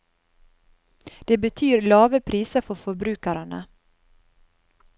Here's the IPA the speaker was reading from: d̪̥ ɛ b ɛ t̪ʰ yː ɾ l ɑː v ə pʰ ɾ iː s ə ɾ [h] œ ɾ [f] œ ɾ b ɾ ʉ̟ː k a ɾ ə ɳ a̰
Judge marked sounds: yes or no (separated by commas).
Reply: no, yes